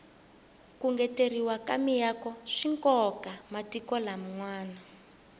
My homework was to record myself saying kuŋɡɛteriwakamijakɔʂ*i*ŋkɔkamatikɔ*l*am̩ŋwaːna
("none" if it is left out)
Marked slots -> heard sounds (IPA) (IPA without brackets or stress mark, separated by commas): i, l